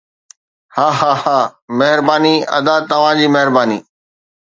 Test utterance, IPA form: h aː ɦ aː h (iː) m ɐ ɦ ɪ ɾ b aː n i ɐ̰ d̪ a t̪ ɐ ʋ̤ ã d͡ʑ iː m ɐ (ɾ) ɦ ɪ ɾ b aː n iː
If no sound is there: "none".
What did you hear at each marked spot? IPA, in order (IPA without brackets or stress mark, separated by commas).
aː, none